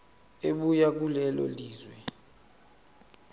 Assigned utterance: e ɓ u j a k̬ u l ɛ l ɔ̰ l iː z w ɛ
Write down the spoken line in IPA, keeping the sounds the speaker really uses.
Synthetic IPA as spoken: e ɓ u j a k̬ u l ɛ l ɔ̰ l iː z w ɛ

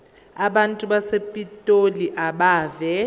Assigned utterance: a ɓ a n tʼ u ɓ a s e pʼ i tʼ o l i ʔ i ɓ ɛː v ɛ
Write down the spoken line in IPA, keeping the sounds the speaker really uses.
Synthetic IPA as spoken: a ɓ a n tʼ u ɓ a s e pʼ i tʼ o l i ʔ a ɓ aː v ɛ

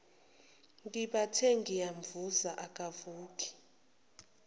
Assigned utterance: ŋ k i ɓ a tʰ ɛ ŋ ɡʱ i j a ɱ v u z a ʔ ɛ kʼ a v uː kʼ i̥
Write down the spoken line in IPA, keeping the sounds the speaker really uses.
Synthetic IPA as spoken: ŋ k i ɓ a tʰ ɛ ŋ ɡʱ i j a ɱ v u z a ʔ a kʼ a v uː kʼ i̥

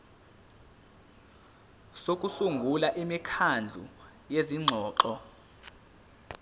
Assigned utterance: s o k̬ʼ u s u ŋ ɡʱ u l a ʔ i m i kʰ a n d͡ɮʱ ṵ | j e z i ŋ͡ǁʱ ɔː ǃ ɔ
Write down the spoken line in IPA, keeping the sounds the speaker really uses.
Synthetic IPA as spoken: s o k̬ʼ u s u ŋ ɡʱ u l a ʔ i m i kʰ a n d͡ɮʱ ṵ | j e z i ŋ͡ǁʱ ɔː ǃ ɔ

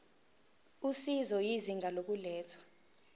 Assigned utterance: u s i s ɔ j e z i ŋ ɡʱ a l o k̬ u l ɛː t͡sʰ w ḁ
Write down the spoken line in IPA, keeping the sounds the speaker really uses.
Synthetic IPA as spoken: u s i z ɔ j i z i ŋ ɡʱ a l o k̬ u l ɛː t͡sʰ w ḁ

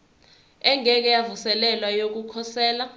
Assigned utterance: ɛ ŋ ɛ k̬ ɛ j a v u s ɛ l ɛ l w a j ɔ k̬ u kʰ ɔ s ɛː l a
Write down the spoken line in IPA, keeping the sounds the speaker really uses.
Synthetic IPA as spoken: ɛ ŋ ɛ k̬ ɛ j a v u s ɛ l ɛ l w a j o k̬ u kʰ ɔ s ɛː l a

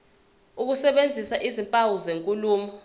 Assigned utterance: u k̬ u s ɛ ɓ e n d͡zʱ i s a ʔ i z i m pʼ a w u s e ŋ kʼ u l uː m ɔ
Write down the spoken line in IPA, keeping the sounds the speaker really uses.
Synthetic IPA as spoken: u k̬ u s ɛ ɓ e n d͡zʱ i s a ʔ i z i m pʼ a w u z e ŋ kʼ u l uː m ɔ

